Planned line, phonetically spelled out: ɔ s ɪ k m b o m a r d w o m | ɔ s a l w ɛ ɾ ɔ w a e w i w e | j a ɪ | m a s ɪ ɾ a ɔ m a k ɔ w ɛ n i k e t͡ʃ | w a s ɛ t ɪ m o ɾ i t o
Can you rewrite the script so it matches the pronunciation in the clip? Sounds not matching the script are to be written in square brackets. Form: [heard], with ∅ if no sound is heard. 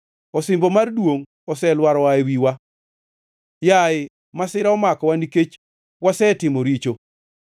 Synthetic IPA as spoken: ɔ s ɪ [∅] m b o m a r d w o [ŋ] | ɔ s [ɛ] l w [a] ɾ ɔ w a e w i w [a] | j a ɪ | m a s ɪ ɾ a ɔ m a k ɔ w [a] n i k e t͡ʃ | w a s ɛ t ɪ m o ɾ i [t͡ʃ] o